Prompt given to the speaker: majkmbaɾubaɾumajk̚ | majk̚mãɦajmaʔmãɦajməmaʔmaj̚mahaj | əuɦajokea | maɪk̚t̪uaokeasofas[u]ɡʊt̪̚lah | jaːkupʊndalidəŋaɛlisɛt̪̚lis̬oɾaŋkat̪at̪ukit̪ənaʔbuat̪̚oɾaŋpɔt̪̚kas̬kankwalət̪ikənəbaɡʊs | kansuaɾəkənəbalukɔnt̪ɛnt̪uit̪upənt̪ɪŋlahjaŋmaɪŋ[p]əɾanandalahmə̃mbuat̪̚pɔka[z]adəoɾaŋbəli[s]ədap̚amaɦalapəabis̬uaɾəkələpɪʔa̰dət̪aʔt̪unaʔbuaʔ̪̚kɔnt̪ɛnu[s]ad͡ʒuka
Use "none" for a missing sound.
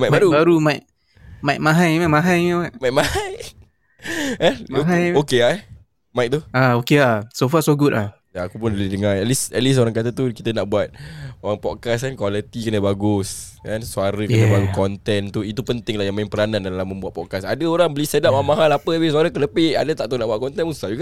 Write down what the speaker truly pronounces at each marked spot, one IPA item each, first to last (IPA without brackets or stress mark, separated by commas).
o, p, s, s, s